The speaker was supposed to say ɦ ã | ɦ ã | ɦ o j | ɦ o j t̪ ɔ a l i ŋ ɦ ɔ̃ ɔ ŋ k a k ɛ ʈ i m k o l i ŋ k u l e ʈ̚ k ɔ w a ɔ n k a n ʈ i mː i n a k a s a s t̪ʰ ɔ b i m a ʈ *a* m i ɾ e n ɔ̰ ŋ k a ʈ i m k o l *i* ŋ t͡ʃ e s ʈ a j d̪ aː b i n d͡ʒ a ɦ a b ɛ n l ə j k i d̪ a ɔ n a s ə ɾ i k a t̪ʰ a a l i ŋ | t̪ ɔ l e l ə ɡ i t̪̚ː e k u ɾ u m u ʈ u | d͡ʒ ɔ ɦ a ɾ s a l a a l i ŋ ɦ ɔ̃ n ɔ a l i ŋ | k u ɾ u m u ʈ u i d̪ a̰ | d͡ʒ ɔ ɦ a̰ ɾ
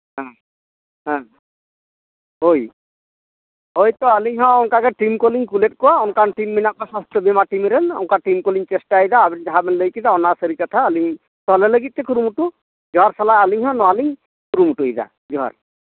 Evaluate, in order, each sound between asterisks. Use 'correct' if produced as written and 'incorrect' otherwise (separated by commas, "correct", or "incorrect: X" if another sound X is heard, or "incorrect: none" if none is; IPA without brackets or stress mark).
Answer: incorrect: i, correct